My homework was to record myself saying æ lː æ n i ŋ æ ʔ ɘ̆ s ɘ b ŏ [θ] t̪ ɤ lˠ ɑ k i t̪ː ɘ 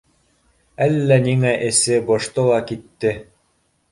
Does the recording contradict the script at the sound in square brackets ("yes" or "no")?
yes